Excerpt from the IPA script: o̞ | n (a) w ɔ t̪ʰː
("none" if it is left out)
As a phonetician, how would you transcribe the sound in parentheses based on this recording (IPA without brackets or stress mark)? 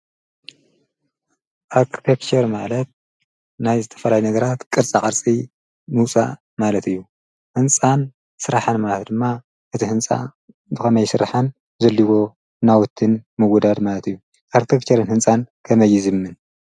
a